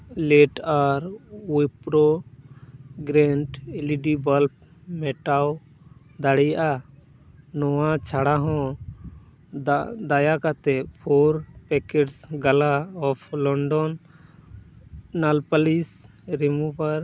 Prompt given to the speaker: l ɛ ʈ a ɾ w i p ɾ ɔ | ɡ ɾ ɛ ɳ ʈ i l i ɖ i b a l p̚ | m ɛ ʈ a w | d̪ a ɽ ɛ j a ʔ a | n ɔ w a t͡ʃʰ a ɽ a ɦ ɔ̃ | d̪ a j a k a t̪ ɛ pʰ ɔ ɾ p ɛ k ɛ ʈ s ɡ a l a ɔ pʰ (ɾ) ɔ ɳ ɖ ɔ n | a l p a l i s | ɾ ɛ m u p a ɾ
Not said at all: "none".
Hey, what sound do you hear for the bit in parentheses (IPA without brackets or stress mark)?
l